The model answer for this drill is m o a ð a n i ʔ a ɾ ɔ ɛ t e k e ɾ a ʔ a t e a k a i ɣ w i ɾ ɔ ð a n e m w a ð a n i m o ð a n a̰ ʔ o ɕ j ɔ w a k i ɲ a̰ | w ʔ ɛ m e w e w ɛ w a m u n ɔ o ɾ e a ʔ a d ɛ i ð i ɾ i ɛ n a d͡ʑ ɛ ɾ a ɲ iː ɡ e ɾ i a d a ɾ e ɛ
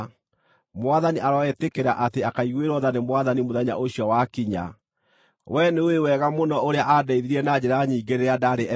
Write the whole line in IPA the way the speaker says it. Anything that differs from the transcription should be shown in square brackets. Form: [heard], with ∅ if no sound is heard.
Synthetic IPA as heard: m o a ð a n i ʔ a ɾ ɔ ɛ t e k e ɾ a ʔ a t e a k a i ɣ w [e] ɾ ɔ ð a n e m w a ð a n i m o ð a [ɲ] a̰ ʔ o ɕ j ɔ w a k i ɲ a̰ | w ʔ ɛ [n] e w e w ɛ [ɣ] a m [o] n ɔ o ɾ e a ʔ a d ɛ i ð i ɾ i ɛ n a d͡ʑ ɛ ɾ a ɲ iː ɡ e ɾ [e] a d a ɾ e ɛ